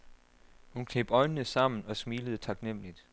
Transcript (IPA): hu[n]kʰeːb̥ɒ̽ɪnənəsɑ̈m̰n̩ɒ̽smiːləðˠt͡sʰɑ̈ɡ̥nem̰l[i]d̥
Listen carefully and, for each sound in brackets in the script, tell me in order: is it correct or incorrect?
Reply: correct, correct

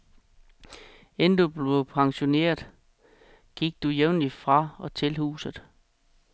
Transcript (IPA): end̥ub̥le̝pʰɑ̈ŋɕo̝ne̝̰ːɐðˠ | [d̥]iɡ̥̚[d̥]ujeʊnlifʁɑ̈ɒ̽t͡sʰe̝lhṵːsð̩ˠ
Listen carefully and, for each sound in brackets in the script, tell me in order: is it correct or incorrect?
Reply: incorrect, correct

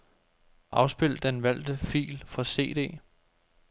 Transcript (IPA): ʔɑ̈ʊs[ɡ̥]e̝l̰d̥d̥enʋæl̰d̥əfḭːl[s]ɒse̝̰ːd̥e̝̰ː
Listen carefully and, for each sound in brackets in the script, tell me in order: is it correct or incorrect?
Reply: incorrect, incorrect

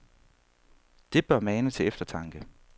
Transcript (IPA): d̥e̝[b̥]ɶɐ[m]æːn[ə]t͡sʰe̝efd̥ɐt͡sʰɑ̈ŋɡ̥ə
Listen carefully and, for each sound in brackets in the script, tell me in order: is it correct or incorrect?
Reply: correct, correct, correct

